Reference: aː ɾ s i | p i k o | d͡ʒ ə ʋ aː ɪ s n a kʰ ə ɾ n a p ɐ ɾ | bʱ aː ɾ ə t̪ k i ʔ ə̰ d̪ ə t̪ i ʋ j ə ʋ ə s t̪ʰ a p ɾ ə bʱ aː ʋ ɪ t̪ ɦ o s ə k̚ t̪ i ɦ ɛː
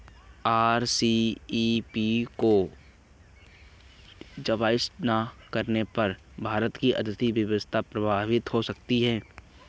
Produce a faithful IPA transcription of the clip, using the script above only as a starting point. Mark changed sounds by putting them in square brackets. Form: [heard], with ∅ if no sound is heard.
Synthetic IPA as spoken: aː ɾ s i | p i k o | d͡ʒ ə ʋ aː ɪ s n a [k] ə ɾ n [e] p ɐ ɾ | bʱ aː ɾ ə t̪ k i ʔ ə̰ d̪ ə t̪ i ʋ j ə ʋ ə s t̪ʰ a p ɾ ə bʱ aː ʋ ɪ t̪ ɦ o s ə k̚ t̪ i ɦ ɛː